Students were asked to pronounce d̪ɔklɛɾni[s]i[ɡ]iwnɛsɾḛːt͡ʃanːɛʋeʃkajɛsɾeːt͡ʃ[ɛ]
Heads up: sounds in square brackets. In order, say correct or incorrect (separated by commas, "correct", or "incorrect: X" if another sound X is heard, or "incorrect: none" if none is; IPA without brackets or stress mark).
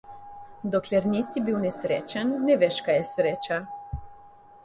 correct, incorrect: b, incorrect: a